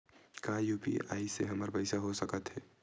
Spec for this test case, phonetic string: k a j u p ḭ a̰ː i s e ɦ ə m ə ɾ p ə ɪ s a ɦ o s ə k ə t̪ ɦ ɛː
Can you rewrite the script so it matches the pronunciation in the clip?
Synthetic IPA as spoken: k a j u p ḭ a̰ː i s e ɦ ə m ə ɾ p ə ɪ s a ɦ o s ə k ə t̪ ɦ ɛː